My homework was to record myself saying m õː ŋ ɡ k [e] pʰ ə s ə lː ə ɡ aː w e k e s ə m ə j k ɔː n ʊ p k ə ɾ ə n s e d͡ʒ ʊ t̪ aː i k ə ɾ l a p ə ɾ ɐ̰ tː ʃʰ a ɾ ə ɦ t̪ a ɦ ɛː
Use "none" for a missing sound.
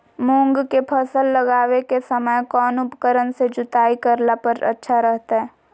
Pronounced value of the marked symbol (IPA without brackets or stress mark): e